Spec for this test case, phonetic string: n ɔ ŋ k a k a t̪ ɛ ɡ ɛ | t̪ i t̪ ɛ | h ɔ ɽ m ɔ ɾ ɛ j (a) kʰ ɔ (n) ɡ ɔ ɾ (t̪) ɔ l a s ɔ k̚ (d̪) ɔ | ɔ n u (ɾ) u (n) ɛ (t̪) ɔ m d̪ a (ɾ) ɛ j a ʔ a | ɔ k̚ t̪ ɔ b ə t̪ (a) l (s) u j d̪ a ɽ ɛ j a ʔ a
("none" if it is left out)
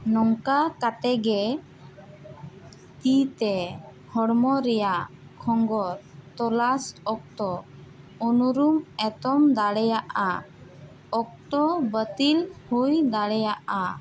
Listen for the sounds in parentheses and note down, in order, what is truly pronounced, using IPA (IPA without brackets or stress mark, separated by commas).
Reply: a, ŋ, t̪, t̪, ɾ, m, t̪, ɽ, i, h